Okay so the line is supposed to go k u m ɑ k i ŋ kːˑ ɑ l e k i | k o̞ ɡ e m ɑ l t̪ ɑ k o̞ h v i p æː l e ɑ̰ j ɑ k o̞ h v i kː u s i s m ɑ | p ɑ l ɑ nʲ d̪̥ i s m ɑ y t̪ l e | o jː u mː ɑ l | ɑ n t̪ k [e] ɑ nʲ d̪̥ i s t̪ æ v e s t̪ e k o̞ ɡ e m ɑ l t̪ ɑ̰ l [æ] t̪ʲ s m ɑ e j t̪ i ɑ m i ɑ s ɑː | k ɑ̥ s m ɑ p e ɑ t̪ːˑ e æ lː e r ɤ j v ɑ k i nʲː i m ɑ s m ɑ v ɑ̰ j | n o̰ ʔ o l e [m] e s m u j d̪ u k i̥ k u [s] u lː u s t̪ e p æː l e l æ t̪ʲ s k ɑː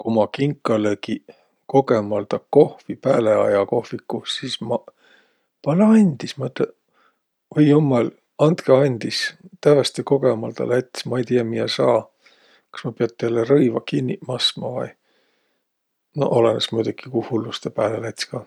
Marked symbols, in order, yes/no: yes, yes, no, no

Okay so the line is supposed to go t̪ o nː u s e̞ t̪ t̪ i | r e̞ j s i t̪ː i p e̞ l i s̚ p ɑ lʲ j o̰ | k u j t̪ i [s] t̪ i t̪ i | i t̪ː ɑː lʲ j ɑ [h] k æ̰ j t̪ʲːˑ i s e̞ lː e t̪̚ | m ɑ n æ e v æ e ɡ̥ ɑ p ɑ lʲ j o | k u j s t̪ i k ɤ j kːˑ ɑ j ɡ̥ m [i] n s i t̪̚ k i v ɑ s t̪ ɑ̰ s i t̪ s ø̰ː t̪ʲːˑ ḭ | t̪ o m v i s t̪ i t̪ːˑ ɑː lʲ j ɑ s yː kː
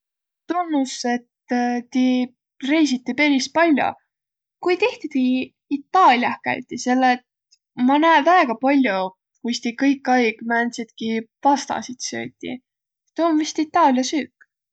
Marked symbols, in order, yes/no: no, yes, no

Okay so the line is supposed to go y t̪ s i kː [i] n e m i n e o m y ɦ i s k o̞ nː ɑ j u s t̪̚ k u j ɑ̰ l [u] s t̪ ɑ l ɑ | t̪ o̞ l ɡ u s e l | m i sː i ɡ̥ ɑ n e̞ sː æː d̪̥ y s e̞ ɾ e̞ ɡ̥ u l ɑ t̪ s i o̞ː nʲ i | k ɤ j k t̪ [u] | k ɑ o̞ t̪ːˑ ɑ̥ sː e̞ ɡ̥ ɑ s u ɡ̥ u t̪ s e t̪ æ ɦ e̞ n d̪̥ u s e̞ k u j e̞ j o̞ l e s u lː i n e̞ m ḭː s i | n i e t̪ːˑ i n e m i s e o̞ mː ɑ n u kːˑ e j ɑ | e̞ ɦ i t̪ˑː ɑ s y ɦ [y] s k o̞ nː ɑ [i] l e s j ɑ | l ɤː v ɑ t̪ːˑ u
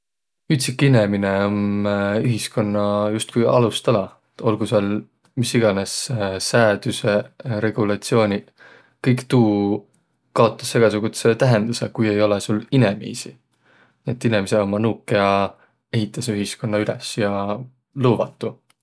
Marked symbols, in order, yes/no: yes, yes, no, no, no

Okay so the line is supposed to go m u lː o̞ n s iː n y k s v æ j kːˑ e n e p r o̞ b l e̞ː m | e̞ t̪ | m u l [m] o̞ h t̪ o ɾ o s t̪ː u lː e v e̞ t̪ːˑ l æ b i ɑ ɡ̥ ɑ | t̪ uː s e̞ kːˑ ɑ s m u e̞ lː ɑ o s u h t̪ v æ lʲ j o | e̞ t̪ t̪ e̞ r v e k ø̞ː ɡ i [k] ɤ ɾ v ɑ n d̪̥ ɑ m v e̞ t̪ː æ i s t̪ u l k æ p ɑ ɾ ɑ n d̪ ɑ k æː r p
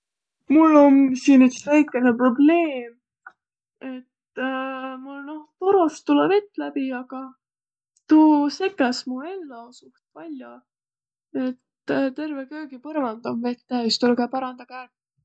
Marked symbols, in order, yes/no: no, no

